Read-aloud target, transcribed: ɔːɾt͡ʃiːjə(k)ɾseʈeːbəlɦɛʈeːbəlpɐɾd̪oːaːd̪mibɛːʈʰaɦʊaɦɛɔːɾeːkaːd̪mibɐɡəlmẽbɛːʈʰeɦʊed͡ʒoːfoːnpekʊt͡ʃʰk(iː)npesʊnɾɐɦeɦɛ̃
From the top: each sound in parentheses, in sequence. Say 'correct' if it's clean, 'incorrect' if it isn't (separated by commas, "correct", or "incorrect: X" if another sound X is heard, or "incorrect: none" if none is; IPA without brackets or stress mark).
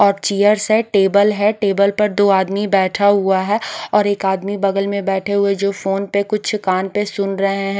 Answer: incorrect: none, incorrect: aː